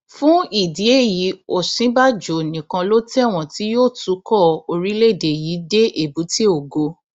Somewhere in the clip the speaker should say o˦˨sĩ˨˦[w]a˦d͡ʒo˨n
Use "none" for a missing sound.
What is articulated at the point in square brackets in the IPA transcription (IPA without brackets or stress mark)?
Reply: b